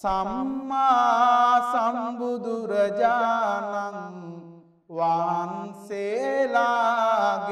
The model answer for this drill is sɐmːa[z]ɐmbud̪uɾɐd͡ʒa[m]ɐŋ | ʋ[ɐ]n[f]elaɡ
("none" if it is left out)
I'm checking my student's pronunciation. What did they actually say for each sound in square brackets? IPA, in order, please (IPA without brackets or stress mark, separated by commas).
s, n, a, s